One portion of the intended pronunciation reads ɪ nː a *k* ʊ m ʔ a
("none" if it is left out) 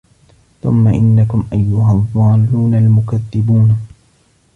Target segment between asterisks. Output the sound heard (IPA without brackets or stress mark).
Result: k